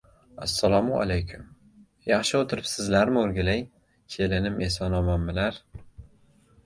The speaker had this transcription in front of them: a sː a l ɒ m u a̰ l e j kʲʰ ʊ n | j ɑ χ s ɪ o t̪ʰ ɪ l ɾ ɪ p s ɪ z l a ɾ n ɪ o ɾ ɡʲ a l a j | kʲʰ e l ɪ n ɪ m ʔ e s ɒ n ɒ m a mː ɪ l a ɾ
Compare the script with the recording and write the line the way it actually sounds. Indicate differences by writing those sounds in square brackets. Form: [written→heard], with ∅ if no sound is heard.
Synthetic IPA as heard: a sː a l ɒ m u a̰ l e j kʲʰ ʊ [n→m] | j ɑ χ [s→ʃ] ɪ o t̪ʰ ɪ [l→∅] ɾ ɪ p s ɪ z l a ɾ [n→m] ɪ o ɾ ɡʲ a l a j | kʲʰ e l ɪ n ɪ m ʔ e s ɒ n ɒ m a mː ɪ l a ɾ